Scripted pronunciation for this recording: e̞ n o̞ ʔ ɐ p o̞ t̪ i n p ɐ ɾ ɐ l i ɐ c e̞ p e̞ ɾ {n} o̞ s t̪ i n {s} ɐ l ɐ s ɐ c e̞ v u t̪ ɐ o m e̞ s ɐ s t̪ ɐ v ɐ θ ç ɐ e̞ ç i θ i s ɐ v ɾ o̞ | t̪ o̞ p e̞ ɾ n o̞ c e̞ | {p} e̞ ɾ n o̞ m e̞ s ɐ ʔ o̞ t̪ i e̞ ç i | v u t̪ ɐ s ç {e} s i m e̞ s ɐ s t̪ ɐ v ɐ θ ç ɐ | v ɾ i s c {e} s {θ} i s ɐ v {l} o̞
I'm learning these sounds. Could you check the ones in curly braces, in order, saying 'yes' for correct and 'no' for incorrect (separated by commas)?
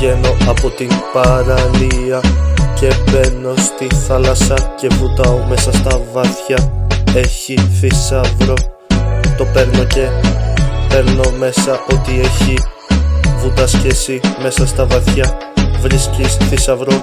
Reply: yes, no, yes, yes, no, yes, no